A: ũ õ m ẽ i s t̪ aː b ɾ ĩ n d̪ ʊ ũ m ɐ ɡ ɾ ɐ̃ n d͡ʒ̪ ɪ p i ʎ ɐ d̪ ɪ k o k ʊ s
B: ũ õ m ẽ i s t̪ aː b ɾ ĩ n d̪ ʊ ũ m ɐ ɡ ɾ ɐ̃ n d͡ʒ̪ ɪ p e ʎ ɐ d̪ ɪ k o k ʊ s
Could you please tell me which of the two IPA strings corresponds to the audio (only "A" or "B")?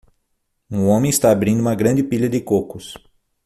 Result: A